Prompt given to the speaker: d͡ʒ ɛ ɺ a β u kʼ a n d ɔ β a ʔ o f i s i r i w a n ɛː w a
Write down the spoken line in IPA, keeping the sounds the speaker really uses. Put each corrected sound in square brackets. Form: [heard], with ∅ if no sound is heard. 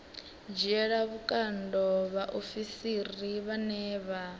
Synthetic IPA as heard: d͡ʒ ɛ ɺ a β u kʼ a n d ɔ β a ʔ o f i s i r i [β] a n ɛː [β] a

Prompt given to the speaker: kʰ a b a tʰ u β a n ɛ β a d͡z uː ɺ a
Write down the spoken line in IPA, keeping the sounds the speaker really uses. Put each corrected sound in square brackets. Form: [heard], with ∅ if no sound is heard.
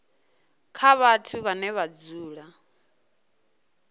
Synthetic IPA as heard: kʰ a [β] a tʰ u β a n ɛ β a d͡z uː ɺ a

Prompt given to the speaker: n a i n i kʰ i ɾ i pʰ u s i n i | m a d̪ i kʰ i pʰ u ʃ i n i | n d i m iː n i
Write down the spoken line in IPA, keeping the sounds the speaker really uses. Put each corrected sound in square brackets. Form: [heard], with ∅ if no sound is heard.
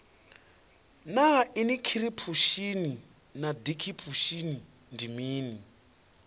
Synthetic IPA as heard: n a i n i kʰ i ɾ i pʰ u [ʃ] i n i | [n] a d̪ i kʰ i pʰ u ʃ i n i | n d i m iː n i

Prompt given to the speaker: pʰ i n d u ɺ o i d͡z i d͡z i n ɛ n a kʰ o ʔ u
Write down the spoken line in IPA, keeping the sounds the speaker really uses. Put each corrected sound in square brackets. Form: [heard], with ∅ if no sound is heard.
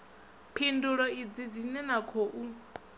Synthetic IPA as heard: pʰ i n d u ɺ [ɔ] i d͡z i d͡z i n ɛ n a kʰ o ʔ u

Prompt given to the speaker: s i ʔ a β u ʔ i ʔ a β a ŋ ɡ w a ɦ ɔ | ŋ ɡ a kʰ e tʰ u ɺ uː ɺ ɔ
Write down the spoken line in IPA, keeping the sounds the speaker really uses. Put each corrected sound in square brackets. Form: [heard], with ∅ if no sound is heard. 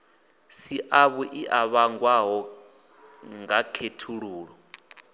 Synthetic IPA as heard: s i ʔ a β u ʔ i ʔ a β a ŋ ɡ w a ɦ ɔ | ŋ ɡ a kʰ e tʰ u ɺ uː ɺ ɔ

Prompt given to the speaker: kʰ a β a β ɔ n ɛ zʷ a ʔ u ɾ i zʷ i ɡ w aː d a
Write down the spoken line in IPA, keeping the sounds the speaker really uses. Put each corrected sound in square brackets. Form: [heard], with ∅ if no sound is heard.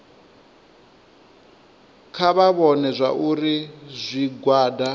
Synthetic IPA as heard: kʰ a β a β ɔ n ɛ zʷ a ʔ u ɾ i zʷ i ɡ w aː d a

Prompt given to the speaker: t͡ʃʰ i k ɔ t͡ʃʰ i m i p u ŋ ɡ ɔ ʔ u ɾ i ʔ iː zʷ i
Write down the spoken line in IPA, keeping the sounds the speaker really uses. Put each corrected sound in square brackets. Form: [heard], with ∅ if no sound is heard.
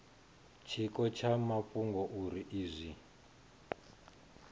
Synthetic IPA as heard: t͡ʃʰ i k ɔ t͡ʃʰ [a] m [a] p u ŋ ɡ ɔ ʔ u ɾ i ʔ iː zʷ i

